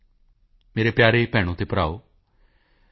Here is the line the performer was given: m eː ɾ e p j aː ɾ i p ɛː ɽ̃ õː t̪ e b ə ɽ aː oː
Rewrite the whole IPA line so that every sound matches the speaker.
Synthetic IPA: m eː ɾ e p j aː ɾ e p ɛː ɽ̃ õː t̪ e p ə ɾ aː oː